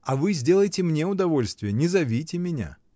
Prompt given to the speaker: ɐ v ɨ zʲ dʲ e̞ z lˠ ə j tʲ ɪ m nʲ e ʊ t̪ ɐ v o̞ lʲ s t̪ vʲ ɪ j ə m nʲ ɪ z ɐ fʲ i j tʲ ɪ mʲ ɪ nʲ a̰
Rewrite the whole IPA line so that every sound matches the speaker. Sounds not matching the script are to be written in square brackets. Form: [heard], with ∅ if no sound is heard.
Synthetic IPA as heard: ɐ v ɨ zʲ dʲ e̞ [∅] lˠ ə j tʲ ɪ m nʲ e ʊ [d̪] ɐ v o̞ lʲ s t̪ vʲ ɪ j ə [∅] nʲ ɪ z ɐ [vʲ] i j tʲ ɪ mʲ ɪ nʲ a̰